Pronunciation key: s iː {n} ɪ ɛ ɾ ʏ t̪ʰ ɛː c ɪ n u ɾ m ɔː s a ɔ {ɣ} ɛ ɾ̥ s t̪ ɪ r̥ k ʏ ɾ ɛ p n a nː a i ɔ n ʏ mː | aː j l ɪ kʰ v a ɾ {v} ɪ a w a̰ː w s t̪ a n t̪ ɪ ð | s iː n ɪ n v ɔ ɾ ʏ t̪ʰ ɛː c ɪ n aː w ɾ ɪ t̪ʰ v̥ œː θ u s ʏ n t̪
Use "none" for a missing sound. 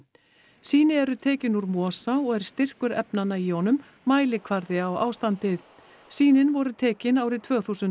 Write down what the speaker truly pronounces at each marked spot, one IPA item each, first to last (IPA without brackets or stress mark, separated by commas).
n, ɣ, ð